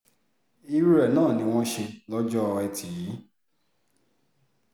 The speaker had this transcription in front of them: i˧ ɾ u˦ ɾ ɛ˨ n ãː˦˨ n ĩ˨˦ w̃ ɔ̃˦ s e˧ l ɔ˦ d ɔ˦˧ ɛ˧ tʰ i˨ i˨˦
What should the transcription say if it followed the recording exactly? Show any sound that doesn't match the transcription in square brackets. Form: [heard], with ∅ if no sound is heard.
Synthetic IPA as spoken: i˧ ɾ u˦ ɾ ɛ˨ n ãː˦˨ n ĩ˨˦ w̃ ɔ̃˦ [ʃ] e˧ l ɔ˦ [d͡ʒ] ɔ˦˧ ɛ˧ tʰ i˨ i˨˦

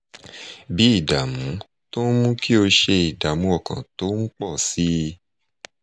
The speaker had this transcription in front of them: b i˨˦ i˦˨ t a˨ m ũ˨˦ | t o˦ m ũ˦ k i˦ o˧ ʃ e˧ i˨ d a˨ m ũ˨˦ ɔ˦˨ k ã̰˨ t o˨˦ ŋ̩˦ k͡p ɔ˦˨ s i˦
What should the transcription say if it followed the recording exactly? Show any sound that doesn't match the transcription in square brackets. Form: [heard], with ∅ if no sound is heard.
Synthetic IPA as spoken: b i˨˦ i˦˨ [d] a˨ m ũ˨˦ | t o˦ m ũ˦ k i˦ o˧ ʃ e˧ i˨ d a˨ m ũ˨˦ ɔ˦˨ k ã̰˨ t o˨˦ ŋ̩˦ k͡p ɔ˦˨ s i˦

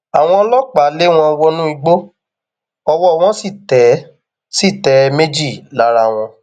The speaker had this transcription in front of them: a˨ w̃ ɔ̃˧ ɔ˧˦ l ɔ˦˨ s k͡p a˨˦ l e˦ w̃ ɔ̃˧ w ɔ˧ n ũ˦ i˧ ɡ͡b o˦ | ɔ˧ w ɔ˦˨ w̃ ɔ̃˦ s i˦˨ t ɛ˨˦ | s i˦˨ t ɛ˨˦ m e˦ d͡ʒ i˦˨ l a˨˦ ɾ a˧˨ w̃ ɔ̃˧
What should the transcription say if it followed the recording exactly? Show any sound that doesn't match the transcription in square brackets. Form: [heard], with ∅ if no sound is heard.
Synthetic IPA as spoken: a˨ w̃ ɔ̃˧ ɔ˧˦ l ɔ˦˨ [∅] k͡p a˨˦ l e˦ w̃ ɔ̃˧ w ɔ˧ n ũ˦ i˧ ɡ͡b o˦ | ɔ˧ w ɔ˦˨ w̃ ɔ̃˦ s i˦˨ t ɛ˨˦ | s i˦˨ t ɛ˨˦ m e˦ d͡ʒ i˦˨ l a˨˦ ɾ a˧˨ w̃ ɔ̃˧

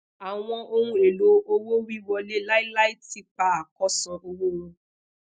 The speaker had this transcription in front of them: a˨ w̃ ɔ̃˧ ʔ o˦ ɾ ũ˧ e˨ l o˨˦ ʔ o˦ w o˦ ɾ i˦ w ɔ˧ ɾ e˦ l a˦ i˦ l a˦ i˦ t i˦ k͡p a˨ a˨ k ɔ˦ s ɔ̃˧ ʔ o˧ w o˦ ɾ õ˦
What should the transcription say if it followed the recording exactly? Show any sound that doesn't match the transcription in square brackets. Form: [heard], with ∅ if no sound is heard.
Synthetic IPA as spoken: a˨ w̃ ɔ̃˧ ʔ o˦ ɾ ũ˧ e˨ l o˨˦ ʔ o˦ w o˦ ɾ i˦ w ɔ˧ [l] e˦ l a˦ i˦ l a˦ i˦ t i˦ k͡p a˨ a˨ k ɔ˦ s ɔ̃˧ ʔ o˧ w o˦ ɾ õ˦

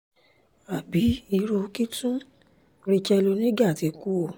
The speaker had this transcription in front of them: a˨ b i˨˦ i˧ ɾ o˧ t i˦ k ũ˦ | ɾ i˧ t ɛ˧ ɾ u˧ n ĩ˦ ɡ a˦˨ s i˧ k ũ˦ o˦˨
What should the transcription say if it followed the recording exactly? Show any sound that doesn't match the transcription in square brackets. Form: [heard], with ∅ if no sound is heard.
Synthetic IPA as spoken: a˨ b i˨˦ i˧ ɾ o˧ [k] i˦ [t] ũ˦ | ɾ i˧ [t͡ʃ] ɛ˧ [l] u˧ n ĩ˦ ɡ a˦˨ [t] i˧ k [u˦] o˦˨

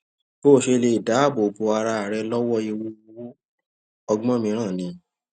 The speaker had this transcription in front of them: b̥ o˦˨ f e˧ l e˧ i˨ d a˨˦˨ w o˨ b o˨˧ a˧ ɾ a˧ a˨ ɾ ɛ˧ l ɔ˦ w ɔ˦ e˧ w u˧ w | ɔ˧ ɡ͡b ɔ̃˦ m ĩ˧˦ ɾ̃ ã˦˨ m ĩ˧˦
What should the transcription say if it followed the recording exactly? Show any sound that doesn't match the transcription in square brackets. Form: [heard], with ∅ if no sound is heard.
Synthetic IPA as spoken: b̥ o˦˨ [ʃ] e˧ l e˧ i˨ d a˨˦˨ [b] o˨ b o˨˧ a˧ ɾ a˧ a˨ ɾ ɛ˧ l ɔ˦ w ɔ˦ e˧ w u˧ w | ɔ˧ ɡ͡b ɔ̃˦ m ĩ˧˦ ɾ̃ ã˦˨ [n] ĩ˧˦

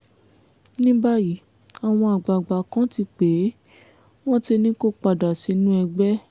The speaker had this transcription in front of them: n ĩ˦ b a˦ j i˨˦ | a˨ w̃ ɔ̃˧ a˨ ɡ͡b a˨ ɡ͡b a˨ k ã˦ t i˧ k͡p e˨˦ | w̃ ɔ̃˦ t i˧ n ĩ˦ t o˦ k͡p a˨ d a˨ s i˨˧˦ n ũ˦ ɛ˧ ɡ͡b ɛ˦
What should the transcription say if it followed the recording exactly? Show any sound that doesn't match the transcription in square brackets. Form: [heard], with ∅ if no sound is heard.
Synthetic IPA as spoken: n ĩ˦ b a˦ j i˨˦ | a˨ w̃ ɔ̃˧ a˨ ɡ͡b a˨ ɡ͡b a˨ k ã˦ t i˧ k͡p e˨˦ | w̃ ɔ̃˦ t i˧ n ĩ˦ [k] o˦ k͡p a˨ d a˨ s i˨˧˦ n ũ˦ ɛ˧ ɡ͡b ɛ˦

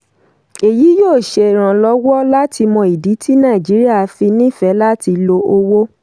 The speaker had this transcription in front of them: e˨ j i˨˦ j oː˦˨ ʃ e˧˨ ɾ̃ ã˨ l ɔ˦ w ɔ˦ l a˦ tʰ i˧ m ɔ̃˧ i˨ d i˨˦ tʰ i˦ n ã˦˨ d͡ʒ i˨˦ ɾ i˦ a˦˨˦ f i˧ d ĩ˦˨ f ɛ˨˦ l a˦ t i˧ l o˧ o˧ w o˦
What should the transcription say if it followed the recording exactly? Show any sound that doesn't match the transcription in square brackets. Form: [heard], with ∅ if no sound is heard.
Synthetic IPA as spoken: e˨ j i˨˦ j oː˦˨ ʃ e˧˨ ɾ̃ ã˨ l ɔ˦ w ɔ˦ l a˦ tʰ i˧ m ɔ̃˧ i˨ d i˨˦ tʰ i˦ n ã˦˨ d͡ʒ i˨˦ ɾ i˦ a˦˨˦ f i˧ [n] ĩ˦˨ f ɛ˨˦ l a˦ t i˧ l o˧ o˧ w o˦

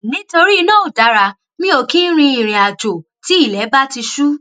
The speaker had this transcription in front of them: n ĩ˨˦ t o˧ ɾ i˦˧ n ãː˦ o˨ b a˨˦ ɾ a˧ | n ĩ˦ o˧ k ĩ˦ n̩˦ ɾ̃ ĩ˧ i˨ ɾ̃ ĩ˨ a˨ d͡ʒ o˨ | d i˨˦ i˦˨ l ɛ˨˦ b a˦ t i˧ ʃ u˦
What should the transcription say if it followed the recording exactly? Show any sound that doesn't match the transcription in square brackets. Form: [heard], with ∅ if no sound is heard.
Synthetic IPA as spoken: n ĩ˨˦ t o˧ ɾ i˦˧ n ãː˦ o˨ [d] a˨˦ ɾ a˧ | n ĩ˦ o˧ k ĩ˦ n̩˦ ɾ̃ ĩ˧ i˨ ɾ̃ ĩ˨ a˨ d͡ʒ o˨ | [t] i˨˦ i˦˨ l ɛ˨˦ b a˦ t i˧ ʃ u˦

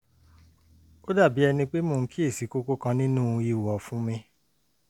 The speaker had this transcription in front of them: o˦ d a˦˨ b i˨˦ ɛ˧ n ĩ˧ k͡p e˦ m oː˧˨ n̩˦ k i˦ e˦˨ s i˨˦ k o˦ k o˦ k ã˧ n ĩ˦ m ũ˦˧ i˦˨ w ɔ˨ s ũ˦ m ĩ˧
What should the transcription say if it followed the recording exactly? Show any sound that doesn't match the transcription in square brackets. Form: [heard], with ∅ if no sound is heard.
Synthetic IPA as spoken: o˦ d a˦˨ b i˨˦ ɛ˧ n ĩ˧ k͡p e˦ m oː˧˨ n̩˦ k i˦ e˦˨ s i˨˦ k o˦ k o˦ k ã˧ n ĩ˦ [n] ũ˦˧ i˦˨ w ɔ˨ [f] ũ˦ m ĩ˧

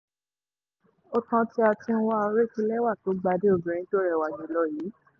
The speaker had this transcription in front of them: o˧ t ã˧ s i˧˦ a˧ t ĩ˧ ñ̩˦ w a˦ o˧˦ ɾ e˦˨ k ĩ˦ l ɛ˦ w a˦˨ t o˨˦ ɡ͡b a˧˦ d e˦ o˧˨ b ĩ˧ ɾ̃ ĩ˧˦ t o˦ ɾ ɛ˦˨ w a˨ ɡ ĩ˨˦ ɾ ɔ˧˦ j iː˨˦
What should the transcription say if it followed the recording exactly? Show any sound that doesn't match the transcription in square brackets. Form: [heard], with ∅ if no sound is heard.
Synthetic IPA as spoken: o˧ t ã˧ [t] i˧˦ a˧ t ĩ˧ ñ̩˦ w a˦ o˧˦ ɾ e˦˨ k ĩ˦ l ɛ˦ w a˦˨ t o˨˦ ɡ͡b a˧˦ d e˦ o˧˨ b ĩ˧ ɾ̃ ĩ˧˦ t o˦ ɾ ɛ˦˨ w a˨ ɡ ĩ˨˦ [l] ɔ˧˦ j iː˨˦

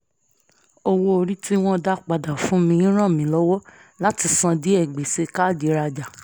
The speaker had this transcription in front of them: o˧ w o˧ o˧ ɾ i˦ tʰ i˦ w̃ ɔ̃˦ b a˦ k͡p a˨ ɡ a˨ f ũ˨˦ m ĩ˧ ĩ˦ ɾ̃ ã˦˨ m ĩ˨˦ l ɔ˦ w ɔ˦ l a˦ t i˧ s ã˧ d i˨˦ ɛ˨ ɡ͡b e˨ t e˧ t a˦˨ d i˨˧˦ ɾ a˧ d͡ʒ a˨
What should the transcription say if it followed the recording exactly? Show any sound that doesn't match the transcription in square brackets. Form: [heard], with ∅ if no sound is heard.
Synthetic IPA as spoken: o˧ w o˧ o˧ ɾ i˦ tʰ i˦ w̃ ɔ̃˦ [d] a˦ k͡p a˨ [d] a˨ f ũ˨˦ m ĩ˧ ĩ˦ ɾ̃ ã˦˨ m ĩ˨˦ l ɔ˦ w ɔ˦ l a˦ t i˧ s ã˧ d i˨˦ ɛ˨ ɡ͡b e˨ [s] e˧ [k] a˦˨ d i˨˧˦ ɾ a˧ d͡ʒ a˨

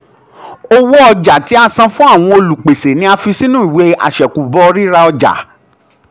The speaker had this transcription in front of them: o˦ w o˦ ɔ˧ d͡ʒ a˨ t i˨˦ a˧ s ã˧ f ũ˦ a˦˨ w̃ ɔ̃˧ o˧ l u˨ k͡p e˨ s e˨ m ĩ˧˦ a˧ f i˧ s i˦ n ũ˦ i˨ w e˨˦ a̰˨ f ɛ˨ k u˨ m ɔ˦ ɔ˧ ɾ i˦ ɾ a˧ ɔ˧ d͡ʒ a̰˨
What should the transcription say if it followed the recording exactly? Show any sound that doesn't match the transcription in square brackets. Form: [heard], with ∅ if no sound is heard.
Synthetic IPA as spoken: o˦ w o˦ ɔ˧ d͡ʒ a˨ t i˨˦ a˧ s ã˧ f ũ˦ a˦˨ w̃ ɔ̃˧ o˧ l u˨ k͡p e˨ s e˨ [n] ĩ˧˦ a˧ f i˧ s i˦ n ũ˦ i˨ w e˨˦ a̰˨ [ʃ] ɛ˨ k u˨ [b] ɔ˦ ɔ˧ ɾ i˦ ɾ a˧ ɔ˧ d͡ʒ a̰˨

